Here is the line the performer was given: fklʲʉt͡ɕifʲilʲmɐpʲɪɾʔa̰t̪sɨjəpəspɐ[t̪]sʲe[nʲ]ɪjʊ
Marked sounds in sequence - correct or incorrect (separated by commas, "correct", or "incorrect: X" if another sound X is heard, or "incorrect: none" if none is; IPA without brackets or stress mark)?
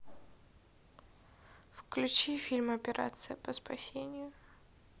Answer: incorrect: none, correct